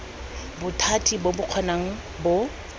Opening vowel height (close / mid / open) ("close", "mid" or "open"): close